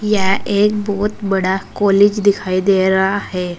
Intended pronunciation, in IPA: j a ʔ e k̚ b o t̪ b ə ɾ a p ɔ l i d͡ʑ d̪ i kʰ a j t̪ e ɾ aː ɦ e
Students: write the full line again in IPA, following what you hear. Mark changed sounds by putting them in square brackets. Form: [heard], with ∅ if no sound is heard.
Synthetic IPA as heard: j a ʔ e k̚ b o t̪ b ə [ɽ] a [k] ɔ l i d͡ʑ d̪ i kʰ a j [d̪] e ɾ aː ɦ e